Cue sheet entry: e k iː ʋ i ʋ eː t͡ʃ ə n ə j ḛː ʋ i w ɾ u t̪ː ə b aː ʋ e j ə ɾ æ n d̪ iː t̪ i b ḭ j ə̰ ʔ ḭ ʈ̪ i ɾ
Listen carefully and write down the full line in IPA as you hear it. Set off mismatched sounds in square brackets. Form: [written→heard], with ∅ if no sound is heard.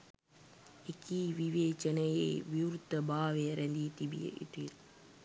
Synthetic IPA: e k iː ʋ i ʋ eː t͡ʃ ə n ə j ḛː ʋ i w ɾ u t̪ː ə b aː ʋ e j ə ɾ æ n d̪ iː t̪ i b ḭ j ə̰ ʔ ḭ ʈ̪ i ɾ